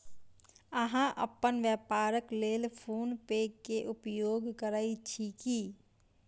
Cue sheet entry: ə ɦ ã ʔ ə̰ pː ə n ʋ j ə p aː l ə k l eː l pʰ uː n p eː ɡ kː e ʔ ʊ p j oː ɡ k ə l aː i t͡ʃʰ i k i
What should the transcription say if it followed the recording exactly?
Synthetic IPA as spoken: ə ɦ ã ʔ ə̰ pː ə n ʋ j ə p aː ɾ ə k l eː l pʰ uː n p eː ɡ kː e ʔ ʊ p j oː ɡ k ə ɾ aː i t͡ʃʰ i k i